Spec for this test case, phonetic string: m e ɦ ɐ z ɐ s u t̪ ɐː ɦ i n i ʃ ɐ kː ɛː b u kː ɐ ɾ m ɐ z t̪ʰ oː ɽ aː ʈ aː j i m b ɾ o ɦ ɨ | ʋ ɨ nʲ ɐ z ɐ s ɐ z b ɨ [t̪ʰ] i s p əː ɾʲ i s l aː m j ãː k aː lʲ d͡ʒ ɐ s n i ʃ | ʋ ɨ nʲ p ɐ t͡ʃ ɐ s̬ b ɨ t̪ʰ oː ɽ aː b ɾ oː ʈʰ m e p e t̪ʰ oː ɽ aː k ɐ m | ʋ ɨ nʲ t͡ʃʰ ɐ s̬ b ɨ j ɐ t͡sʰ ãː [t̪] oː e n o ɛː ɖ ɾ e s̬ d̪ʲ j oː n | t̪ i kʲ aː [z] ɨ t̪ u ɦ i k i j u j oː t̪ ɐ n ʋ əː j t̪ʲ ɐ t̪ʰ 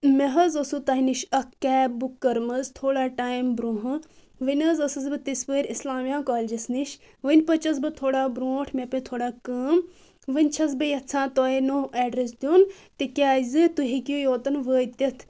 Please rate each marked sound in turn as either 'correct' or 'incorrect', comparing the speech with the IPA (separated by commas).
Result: incorrect, correct, correct